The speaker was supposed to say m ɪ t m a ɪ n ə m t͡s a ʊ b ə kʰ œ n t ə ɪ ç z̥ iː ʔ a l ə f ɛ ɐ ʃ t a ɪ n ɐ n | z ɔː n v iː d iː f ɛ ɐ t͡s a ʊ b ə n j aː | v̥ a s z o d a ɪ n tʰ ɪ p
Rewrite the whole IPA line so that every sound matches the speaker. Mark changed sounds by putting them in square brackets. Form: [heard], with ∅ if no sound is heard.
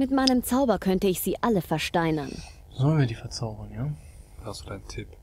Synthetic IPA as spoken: m ɪ t m a ɪ n ə m t͡s a ʊ b [ɐ] kʰ œ n t ə ɪ ç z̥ iː ʔ a l ə f ɛ ɐ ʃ t a ɪ n ɐ n | z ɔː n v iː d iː f ɛ ɐ t͡s a ʊ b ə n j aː | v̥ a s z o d a ɪ n tʰ ɪ p